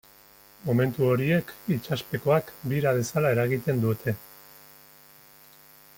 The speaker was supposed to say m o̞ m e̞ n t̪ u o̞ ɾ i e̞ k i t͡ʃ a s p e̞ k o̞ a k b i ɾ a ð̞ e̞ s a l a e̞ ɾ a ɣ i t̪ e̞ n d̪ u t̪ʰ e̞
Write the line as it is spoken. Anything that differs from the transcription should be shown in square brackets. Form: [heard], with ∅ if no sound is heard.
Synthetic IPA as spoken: m o̞ m e̞ n t̪ u o̞ ɾ i e̞ k i t͡ʃ a s p e̞ k o̞ a k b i ɾ a ð̞ e̞ s a l a e̞ ɾ a ɣ i t̪ e̞ n d̪ u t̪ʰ e̞